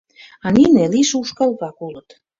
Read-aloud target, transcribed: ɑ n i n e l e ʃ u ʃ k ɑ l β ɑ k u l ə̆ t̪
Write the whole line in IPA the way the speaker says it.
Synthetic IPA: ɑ n i n e l i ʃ u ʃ k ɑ l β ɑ k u l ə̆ t̪